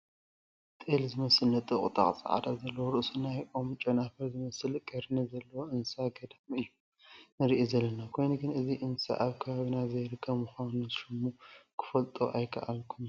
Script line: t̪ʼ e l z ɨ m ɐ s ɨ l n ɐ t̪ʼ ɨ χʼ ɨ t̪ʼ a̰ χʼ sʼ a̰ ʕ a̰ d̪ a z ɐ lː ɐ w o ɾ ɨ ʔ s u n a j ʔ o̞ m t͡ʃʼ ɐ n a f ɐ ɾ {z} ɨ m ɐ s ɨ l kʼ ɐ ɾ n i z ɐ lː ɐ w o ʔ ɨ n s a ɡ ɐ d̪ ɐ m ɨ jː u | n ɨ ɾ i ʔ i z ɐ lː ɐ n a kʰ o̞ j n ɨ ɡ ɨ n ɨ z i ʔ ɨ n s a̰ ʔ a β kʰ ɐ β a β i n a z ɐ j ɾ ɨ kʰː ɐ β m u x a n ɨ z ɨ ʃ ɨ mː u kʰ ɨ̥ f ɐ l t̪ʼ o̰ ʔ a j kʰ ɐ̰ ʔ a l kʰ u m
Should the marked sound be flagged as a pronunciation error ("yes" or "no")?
no